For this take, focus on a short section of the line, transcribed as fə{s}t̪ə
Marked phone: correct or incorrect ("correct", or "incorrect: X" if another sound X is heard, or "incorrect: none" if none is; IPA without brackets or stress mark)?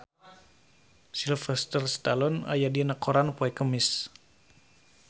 correct